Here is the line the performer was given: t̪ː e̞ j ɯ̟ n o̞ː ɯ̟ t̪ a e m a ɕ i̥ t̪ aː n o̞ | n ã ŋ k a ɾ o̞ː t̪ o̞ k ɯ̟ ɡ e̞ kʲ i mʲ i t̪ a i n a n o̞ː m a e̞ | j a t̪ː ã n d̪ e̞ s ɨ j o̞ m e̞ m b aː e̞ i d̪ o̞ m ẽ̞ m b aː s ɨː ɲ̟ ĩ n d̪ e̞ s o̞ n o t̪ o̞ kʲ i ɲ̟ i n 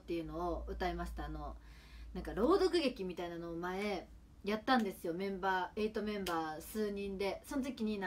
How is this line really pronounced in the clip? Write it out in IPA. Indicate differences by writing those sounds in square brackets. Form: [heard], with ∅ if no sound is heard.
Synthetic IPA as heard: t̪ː e̞ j ɯ̟ n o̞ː ɯ̟ t̪ a e m a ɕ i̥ t̪ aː n o̞ | n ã ŋ k a ɾ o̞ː [d̪] o̞ k ɯ̟ ɡ e̞ kʲ i mʲ i t̪ a i n a n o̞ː m a e̞ | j a t̪ː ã n d̪ e̞ s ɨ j o̞ m [ẽ̞] m b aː e̞ i [t̪] o̞ m ẽ̞ m b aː s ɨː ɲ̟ ĩ n d̪ e̞ s o̞ n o t̪ o̞ kʲ i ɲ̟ i n